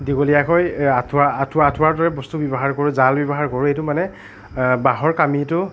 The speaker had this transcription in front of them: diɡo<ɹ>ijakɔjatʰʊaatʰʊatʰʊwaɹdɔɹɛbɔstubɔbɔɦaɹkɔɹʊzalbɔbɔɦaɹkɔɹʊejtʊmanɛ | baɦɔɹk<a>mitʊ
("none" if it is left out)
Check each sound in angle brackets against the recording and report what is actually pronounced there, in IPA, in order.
l, a

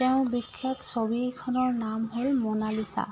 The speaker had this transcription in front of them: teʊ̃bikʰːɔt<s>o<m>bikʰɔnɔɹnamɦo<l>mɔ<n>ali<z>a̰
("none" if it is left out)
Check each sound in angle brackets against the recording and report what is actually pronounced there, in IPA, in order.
s, none, l, n, s

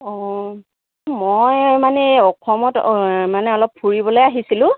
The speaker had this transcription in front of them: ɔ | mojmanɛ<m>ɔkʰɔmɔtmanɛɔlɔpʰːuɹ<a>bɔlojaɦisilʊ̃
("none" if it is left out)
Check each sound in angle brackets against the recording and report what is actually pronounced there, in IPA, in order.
none, i

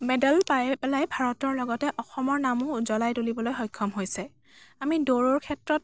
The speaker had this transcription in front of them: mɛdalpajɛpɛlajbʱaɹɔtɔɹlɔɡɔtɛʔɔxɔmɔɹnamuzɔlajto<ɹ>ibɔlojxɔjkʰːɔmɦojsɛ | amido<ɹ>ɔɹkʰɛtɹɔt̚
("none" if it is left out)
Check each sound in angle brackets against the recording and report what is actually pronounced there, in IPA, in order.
l, ɹ

